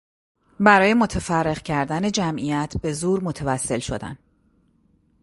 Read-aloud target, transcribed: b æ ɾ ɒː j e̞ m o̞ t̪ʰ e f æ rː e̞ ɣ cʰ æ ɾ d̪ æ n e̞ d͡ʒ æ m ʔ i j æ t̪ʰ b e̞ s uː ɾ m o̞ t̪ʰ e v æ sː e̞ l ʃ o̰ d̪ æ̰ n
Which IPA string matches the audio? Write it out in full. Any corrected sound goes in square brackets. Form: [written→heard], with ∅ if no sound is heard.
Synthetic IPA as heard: b æ ɾ ɒː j e̞ m o̞ t̪ʰ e f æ rː e̞ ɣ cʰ æ ɾ d̪ æ n e̞ d͡ʒ æ m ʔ i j æ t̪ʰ b e̞ [s→z] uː ɾ m o̞ t̪ʰ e v æ sː e̞ l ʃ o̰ d̪ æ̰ n